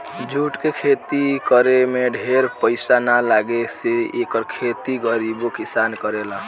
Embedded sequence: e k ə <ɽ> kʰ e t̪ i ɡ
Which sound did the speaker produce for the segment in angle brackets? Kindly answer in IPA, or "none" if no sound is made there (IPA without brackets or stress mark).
ɾ